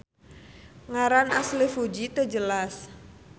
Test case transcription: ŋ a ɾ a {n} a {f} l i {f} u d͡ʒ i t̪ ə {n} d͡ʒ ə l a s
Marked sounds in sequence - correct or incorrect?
correct, incorrect: s, correct, incorrect: none

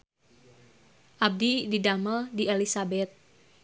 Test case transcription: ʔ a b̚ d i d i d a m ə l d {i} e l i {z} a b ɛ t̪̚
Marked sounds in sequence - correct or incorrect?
correct, incorrect: s

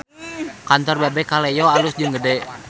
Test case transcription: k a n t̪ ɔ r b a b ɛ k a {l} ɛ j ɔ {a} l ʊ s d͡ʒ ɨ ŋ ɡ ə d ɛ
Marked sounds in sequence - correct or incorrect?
correct, correct

